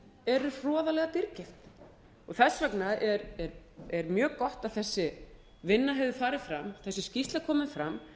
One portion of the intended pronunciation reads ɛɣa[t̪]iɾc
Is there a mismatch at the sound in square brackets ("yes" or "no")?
no